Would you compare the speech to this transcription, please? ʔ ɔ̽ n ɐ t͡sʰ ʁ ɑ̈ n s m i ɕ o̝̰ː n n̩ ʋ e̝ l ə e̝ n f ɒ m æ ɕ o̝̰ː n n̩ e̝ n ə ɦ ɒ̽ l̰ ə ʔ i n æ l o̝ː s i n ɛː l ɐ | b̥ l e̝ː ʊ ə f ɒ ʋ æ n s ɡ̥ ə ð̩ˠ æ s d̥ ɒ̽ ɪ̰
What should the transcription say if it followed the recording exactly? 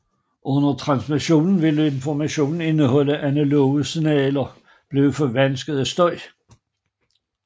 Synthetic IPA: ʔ ɔ̽ n ɐ t͡sʰ ʁ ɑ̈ n s m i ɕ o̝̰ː n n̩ ʋ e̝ l ə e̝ n f ɒ m æ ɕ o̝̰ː n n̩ e̝ n ə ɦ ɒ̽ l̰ ə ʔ æ n æ l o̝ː s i n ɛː l ɐ | b̥ l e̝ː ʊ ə f ɒ ʋ æ n s ɡ̥ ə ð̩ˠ æ s d̥ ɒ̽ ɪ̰